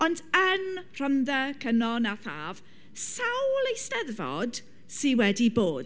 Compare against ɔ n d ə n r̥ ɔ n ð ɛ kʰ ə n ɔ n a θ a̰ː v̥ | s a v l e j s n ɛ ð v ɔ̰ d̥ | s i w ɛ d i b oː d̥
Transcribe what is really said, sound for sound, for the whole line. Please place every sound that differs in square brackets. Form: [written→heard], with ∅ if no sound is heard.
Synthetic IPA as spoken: ɔ n d ə n r̥ ɔ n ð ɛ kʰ ə n ɔ n a θ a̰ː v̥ | s a [v→w] l e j s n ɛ ð v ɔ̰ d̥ | s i w ɛ d i b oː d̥